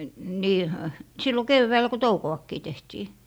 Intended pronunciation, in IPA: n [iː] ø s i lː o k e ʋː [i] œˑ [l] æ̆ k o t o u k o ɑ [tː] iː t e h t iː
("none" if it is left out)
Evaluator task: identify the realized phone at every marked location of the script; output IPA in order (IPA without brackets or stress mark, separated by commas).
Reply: iː, æ, l, kː